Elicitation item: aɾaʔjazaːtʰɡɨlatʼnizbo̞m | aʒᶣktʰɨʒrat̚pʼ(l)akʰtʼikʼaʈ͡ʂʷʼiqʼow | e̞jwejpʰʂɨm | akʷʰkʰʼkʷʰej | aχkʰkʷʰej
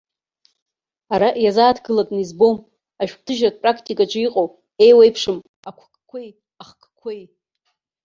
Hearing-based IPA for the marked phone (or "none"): r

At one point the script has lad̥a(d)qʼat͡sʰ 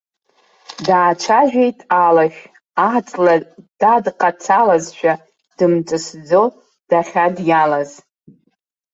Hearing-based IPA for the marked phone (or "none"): d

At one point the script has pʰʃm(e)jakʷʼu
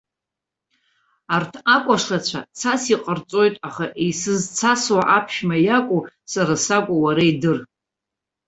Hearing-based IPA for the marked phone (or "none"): a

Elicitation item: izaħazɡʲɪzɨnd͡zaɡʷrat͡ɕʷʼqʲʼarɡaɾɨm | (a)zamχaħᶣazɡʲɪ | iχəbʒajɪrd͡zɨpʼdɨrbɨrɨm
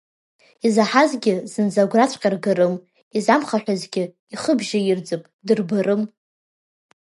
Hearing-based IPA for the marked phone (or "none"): i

